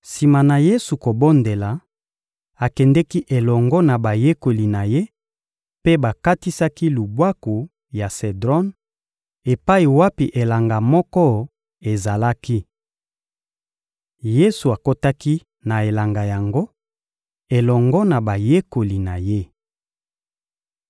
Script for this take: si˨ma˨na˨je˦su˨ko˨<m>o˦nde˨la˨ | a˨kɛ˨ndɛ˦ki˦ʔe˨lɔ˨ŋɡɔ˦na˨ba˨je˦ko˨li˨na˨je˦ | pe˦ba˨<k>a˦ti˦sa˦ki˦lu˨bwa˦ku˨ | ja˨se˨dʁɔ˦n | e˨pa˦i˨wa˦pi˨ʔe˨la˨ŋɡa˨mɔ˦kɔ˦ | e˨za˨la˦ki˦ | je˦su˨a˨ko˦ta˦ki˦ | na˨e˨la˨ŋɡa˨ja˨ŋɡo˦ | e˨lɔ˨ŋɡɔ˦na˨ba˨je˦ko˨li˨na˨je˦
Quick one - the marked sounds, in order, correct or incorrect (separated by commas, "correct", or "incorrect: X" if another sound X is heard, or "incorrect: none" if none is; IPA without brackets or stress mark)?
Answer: incorrect: b, correct